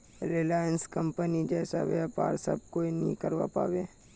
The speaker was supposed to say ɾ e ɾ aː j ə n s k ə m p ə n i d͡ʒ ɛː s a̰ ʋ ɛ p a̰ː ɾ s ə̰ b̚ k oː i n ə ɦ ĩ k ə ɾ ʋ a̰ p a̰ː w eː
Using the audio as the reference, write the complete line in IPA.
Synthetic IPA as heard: ɾ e l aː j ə n s k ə m p ə n i d͡ʒ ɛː s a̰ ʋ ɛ p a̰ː ɾ s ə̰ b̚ k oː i n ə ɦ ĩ k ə ɾ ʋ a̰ p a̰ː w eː